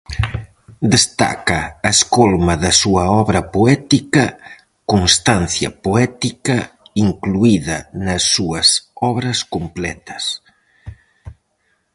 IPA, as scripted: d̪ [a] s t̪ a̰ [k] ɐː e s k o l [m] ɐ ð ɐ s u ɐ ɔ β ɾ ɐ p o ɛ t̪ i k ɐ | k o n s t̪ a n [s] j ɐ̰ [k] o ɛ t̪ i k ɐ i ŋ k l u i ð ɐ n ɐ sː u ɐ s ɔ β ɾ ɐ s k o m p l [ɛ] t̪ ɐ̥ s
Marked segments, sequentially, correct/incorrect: incorrect: e, correct, correct, incorrect: θ, incorrect: p, correct

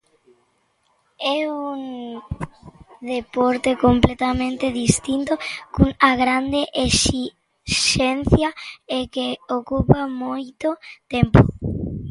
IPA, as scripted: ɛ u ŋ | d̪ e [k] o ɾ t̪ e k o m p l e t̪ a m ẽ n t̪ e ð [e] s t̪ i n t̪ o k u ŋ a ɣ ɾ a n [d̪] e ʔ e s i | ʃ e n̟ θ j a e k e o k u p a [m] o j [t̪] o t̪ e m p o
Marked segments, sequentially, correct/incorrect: incorrect: p, incorrect: i, correct, correct, correct

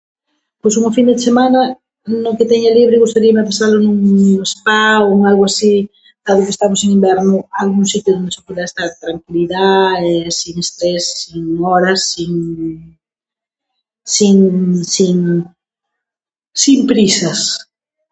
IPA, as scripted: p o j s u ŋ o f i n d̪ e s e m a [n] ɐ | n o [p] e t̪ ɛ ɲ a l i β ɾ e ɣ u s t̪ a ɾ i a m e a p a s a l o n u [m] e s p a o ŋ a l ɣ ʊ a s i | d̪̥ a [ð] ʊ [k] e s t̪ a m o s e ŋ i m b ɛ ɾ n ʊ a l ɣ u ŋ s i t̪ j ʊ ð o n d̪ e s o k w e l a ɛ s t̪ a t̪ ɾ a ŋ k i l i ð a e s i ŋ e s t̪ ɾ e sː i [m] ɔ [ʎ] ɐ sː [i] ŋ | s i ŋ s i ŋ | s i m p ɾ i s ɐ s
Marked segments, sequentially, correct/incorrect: correct, incorrect: k, incorrect: ŋ, correct, correct, incorrect: ŋ, incorrect: ɾ, correct

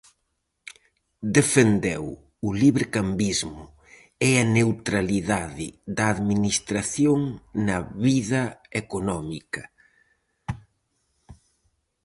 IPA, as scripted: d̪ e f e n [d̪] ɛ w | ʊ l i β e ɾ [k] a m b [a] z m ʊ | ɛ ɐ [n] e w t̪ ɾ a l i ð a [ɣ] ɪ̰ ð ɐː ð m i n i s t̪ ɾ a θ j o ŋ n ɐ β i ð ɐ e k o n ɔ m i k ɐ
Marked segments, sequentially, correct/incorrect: correct, correct, incorrect: i, correct, incorrect: ð

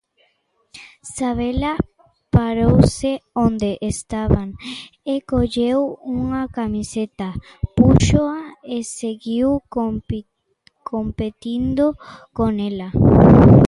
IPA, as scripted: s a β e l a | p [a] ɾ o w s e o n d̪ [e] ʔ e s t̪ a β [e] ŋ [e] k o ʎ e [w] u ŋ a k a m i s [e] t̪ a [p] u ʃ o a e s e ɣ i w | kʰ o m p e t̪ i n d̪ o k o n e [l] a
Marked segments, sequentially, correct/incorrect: correct, correct, incorrect: a, correct, correct, correct, correct, correct

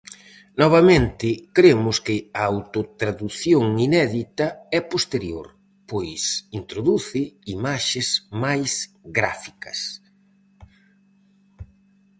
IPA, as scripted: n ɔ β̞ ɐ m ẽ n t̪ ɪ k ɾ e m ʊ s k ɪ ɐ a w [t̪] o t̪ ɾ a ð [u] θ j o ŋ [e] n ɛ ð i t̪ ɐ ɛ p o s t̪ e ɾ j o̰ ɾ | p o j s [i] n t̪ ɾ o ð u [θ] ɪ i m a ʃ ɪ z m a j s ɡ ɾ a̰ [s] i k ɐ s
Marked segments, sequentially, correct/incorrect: correct, correct, incorrect: i, correct, correct, incorrect: f

